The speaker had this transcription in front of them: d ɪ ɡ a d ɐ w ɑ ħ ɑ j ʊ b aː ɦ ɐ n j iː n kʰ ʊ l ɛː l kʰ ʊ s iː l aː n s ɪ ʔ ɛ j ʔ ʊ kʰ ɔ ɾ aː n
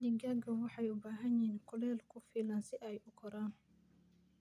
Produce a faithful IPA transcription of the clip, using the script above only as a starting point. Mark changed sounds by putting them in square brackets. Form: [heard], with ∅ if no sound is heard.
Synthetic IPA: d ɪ ɡ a [ɡ] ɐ w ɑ ħ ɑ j ʊ b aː ɦ ɐ n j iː n kʰ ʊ l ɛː l kʰ ʊ [f] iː l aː n s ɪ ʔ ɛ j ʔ ʊ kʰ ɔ ɾ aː n